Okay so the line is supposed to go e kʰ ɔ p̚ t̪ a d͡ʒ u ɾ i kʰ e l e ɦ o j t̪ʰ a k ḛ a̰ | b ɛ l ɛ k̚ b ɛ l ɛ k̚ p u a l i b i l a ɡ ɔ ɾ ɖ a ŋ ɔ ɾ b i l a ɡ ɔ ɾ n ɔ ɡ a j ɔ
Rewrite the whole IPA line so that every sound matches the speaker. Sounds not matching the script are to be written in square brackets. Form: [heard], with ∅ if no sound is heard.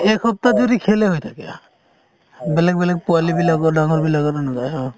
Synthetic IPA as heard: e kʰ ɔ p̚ t̪ a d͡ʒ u ɾ i kʰ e l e ɦ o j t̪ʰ a k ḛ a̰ | b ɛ l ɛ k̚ b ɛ l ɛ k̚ p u a l i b i l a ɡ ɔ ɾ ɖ a ŋ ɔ ɾ b i l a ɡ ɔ ɾ n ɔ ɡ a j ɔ